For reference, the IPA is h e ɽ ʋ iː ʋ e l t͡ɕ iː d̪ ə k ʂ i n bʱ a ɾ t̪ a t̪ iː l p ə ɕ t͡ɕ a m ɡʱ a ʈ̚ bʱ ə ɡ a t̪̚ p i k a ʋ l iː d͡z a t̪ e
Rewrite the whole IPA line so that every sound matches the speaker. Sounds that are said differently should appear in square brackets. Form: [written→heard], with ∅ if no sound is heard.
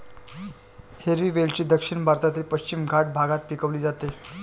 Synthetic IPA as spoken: h e [ɽ→ɾ] ʋ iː ʋ e l t͡ɕ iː d̪ ə k ʂ i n bʱ a ɾ t̪ a t̪ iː l p ə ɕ t͡ɕ [a→i] m ɡʱ a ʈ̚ bʱ [ə→a] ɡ a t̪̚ p i k [a→ə] ʋ l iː d͡z a t̪ e